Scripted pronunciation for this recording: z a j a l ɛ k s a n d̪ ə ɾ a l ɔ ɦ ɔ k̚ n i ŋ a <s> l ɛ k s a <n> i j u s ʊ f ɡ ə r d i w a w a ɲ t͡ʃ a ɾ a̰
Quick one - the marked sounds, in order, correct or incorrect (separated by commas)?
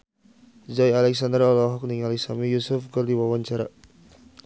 incorrect, incorrect